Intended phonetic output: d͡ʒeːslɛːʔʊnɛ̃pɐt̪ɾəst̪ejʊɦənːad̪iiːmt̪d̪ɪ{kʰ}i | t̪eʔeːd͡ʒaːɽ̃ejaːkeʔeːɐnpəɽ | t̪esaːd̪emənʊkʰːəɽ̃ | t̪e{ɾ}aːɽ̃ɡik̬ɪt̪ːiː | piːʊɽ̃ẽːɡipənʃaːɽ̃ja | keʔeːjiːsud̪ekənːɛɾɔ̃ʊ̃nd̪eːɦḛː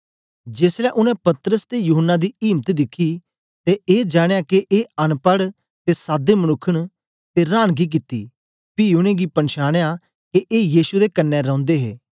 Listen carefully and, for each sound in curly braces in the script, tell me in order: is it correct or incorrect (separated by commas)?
correct, correct